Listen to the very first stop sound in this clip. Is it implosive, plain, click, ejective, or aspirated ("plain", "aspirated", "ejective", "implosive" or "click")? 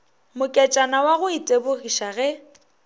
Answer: ejective